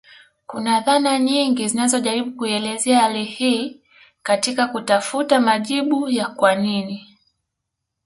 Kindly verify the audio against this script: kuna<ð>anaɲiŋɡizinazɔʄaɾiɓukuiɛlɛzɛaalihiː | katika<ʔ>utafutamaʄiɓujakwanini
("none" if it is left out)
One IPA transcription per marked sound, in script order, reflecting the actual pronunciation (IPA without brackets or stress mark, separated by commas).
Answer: ð, k